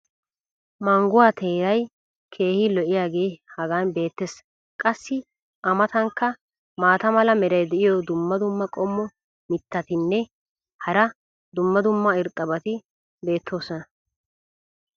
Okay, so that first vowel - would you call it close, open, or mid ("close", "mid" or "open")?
open